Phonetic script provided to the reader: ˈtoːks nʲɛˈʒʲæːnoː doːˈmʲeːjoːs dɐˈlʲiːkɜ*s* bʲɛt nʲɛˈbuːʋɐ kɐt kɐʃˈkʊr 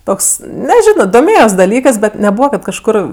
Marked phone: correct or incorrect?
correct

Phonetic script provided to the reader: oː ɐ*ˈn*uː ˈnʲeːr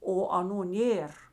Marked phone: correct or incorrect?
correct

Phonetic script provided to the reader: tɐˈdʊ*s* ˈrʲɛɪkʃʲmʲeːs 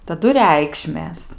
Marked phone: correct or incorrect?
incorrect: none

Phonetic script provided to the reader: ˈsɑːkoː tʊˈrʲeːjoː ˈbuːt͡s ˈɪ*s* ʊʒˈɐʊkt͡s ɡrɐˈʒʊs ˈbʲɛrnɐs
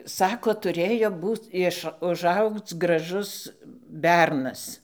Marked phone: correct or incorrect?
incorrect: ʃ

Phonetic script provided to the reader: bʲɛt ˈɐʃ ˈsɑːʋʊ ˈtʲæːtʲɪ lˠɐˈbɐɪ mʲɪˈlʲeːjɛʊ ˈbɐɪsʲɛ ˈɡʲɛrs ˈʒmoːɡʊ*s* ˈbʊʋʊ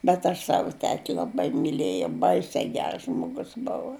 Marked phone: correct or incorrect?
correct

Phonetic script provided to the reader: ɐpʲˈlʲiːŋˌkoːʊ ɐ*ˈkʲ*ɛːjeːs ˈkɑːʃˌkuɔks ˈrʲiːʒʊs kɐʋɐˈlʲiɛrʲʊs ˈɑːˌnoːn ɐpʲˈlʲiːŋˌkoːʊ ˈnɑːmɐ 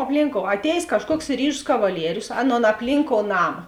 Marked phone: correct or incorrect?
incorrect: tʲ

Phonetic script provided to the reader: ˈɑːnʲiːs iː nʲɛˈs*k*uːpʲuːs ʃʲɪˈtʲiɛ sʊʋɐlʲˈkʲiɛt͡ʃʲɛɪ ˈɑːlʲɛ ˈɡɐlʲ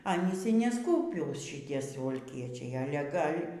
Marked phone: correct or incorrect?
correct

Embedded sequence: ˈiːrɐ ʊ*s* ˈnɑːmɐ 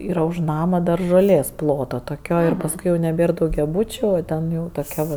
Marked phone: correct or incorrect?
incorrect: ʃ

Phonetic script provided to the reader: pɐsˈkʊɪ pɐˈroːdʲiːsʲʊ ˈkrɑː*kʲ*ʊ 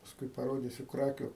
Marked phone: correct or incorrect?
correct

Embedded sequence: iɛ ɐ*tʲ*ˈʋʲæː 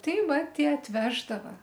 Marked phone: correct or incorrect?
correct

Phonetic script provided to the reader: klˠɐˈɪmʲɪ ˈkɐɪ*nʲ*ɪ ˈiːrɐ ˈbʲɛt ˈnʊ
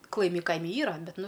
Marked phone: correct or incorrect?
incorrect: mʲ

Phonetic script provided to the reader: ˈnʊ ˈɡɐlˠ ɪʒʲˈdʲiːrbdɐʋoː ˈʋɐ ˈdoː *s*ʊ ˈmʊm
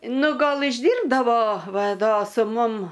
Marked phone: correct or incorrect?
correct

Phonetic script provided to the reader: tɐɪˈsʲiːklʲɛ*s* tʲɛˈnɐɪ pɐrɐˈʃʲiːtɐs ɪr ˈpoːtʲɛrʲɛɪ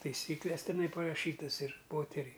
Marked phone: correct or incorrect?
correct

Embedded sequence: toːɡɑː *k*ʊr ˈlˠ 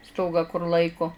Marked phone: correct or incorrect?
correct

